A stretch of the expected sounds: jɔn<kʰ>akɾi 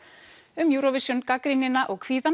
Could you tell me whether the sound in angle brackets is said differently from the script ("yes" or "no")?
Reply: yes